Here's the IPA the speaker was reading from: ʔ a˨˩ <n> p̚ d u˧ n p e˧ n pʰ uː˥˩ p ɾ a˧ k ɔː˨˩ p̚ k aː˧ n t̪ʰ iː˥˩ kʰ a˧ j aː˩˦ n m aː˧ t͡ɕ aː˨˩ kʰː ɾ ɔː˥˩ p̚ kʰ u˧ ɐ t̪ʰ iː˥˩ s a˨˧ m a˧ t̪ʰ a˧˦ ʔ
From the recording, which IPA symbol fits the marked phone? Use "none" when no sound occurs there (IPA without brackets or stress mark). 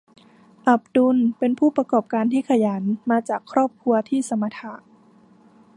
none